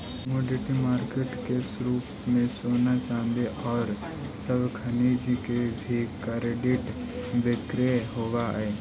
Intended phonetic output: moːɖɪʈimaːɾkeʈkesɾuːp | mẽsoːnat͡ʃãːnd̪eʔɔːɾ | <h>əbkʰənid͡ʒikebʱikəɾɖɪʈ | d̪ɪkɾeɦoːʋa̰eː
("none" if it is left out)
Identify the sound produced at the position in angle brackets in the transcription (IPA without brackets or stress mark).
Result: s